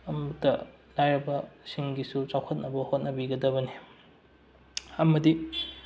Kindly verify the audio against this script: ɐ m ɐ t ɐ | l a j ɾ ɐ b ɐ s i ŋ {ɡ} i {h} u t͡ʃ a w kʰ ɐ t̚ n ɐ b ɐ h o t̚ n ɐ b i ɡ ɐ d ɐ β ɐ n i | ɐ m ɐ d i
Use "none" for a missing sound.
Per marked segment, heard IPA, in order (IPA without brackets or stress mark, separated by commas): ɡ, s